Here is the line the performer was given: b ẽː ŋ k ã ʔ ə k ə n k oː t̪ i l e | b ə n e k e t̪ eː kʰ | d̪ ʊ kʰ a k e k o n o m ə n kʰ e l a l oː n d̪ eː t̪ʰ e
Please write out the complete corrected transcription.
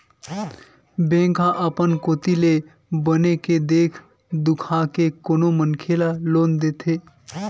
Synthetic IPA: b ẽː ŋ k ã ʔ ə p ə n k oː t̪ i l e | b ə n e k e d̪ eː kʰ | d̪ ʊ kʰ a k e k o n o m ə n kʰ e l a l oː n d̪ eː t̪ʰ e